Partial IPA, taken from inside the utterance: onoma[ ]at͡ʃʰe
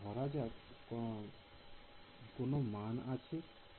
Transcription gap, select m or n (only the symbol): n